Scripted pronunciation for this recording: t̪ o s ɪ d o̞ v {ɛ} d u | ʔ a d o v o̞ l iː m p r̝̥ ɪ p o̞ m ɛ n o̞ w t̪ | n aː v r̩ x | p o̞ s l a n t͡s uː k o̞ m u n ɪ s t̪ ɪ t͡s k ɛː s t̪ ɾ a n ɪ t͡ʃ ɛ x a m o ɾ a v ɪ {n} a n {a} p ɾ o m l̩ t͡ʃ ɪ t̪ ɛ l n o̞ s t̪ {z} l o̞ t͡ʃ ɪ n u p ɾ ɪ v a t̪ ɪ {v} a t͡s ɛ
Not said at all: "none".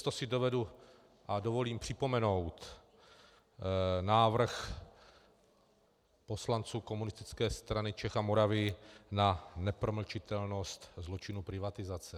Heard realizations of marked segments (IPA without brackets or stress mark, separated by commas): ɛ, n, ɛ, z, z